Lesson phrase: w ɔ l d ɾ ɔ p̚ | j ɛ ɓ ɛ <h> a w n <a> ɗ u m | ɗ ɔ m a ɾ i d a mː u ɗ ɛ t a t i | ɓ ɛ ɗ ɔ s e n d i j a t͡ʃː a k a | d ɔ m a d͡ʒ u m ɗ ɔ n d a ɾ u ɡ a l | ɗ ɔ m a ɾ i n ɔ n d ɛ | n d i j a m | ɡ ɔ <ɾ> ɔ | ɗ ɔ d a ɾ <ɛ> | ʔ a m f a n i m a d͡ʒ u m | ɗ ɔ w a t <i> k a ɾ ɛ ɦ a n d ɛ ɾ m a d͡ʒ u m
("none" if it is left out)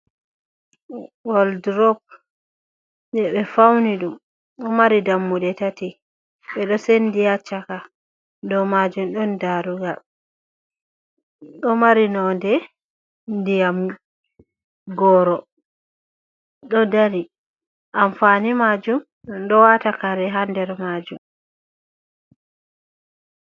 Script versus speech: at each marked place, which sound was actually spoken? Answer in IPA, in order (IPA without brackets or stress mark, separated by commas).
f, i, ɾ, i, a